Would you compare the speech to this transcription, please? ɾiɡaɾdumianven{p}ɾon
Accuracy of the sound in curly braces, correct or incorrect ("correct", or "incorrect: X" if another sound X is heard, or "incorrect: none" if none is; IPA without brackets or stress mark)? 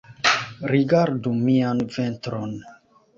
incorrect: t